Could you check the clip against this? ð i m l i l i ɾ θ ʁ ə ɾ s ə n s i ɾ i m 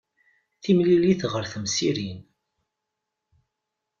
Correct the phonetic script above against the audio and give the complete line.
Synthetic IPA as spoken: θ i m l i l i θ ʁ ə ɾ θ ə m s i ɾ i n